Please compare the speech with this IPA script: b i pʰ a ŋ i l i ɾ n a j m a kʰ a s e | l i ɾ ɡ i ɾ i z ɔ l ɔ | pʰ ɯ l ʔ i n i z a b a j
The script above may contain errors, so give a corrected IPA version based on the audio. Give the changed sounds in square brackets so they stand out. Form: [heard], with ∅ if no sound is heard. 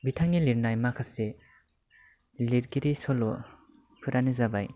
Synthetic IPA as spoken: b i [tʰ] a ŋ i l i ɾ n a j m a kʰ a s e | l i ɾ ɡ i ɾ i [s] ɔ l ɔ | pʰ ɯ [ɾ] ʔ [a] n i z a b a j